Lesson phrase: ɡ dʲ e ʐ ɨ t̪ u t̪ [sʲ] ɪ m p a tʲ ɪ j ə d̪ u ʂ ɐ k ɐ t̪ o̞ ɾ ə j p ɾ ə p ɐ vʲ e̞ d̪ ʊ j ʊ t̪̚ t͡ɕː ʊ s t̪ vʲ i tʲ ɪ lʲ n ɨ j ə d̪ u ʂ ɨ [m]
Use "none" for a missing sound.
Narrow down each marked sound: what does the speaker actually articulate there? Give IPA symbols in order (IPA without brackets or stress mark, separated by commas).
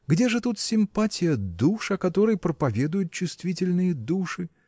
sʲ, none